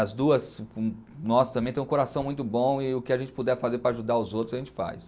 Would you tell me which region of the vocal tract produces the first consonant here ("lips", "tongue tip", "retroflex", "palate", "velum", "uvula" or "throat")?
tongue tip